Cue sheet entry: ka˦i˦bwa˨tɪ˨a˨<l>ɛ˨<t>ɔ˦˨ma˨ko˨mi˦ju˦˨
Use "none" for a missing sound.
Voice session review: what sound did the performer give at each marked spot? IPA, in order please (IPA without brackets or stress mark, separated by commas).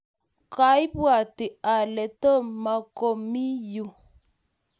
l, t